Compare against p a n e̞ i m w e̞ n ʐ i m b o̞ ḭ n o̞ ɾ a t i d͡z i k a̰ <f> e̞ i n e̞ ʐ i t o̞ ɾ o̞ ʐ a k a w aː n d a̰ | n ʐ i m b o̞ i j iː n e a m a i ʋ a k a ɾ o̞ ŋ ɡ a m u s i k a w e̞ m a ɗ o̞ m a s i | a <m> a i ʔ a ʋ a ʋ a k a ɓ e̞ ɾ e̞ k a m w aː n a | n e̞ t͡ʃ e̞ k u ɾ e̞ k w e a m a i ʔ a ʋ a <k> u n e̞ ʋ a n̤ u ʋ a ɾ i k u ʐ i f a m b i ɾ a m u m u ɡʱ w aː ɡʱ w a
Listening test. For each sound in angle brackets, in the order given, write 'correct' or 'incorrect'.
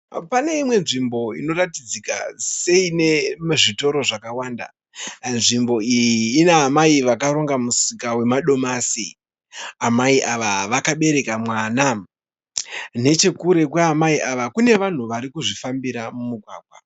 incorrect, correct, correct

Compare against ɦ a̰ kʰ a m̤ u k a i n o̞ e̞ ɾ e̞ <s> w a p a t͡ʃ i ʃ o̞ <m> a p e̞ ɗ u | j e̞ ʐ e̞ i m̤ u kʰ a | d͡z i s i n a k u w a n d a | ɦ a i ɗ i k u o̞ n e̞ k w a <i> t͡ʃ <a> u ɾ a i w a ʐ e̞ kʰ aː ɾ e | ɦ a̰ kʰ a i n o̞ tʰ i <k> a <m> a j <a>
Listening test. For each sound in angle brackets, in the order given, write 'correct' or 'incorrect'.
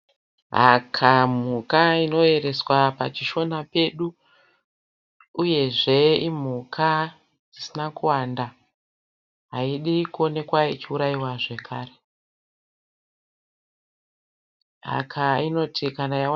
correct, incorrect, correct, incorrect, correct, incorrect, correct

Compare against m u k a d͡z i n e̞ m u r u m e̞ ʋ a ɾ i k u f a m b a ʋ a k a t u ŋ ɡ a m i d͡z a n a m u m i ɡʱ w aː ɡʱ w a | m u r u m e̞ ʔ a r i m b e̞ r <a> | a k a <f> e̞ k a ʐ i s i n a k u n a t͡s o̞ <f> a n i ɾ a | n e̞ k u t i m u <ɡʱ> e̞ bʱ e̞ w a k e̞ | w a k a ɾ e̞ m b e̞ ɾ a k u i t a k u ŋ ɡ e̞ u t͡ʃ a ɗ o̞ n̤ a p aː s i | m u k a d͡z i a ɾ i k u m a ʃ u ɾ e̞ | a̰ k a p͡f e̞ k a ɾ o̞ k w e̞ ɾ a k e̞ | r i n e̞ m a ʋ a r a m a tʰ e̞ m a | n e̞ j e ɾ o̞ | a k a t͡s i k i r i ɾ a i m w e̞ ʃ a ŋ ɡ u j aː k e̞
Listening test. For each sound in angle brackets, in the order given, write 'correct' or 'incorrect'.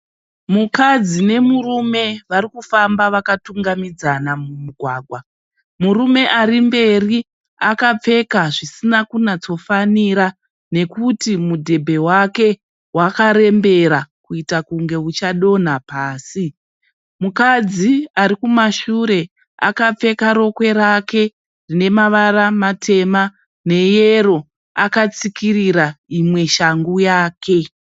incorrect, incorrect, correct, incorrect

